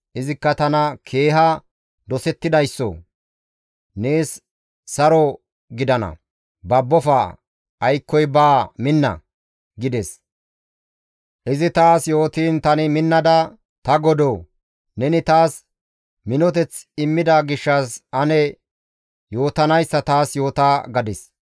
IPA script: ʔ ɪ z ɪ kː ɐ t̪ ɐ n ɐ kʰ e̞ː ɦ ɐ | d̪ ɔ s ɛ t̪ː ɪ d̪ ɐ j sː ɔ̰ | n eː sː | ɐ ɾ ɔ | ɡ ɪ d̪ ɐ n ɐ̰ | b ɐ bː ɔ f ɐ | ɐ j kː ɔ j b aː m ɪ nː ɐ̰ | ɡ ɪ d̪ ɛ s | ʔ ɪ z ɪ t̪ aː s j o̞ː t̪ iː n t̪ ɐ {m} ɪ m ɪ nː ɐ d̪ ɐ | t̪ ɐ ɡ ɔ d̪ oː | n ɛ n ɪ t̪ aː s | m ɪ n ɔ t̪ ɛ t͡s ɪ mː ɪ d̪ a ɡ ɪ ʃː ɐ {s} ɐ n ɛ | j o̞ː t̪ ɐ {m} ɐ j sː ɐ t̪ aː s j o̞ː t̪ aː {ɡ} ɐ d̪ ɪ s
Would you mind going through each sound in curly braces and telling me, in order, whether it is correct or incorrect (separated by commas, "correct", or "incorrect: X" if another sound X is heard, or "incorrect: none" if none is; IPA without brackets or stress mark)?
incorrect: n, correct, incorrect: n, correct